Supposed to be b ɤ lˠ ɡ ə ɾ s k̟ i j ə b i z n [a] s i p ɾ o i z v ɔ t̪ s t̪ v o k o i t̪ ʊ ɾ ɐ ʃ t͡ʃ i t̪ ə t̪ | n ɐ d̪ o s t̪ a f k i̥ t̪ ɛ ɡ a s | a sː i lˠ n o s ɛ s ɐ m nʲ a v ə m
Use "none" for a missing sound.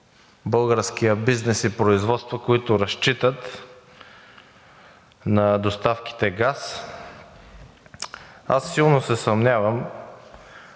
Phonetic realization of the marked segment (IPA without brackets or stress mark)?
ɛ